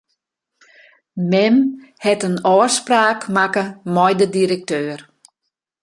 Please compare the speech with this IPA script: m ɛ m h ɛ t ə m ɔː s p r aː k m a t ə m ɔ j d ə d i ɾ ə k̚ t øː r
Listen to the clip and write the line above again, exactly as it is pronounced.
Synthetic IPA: m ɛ m h ɛ t ə n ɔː s p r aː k m a k ə m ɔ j d ə d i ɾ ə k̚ t øː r